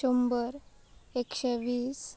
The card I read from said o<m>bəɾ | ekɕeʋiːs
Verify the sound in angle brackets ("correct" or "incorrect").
correct